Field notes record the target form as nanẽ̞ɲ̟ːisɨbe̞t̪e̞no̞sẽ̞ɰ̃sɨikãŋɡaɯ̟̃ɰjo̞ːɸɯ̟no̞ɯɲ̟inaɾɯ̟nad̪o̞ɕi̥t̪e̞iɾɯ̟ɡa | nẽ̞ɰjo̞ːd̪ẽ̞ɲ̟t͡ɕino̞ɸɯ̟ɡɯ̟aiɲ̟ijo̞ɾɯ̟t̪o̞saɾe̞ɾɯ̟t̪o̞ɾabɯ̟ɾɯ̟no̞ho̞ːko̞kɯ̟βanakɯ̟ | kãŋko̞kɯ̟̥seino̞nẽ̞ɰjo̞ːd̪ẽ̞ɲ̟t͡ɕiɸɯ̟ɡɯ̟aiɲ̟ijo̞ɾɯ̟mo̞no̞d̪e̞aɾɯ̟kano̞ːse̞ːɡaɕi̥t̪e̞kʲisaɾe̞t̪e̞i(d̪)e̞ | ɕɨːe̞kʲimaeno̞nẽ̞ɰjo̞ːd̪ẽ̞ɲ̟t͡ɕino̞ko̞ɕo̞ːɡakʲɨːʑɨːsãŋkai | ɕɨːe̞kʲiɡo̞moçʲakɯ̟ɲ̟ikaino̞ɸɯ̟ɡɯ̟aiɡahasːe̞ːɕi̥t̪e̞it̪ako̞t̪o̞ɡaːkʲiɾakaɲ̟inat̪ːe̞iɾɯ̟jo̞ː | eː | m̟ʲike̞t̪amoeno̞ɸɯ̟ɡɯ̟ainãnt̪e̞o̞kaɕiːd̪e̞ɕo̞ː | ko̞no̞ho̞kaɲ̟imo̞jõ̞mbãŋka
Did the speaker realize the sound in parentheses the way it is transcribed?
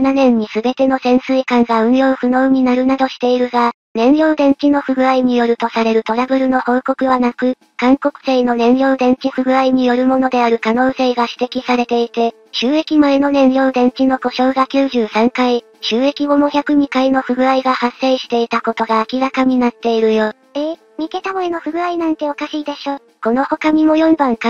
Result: no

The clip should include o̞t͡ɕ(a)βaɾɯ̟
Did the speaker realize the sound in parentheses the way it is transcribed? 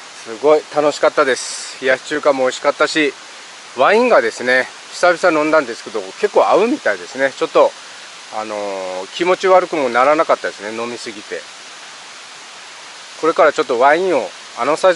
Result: no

